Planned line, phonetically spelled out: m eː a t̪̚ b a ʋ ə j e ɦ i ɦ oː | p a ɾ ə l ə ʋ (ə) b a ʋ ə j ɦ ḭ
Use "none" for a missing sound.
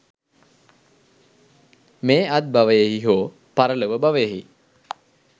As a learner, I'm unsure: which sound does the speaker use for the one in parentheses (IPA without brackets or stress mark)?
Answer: ə